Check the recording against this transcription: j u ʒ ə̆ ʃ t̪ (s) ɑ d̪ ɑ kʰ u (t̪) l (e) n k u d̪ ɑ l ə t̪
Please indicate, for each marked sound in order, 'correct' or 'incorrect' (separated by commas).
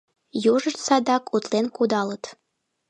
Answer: correct, correct, correct